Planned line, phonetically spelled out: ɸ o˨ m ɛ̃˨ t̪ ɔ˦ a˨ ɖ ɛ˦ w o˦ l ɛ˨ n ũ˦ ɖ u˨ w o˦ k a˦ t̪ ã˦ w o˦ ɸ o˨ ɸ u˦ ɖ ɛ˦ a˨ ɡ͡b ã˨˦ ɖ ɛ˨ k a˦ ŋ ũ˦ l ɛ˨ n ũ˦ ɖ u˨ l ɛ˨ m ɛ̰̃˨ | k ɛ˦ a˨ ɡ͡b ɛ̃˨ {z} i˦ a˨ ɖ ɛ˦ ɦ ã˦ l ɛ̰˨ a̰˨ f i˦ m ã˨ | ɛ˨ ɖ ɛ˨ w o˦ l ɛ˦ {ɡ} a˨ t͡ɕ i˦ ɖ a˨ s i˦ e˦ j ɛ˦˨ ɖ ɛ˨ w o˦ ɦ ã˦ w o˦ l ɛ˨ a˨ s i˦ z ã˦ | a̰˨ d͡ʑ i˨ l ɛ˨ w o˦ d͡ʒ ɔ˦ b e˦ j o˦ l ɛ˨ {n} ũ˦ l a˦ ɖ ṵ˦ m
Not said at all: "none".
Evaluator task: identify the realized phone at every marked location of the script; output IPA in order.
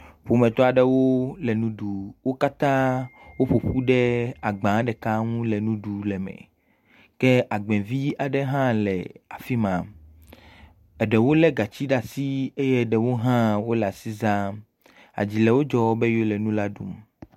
v, ɡ, n

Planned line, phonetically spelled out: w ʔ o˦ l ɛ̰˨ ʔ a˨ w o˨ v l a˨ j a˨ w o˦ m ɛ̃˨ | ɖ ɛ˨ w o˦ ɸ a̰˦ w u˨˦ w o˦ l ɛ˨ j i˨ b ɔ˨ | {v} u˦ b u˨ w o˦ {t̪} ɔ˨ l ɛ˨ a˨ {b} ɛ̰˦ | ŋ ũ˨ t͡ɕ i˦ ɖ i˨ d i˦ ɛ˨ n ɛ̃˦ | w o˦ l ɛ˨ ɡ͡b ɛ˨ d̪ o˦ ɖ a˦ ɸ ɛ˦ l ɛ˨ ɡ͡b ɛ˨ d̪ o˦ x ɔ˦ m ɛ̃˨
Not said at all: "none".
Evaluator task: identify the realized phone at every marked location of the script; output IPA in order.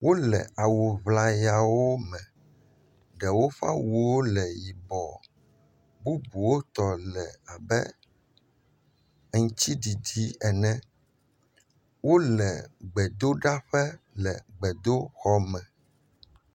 b, t̪, b

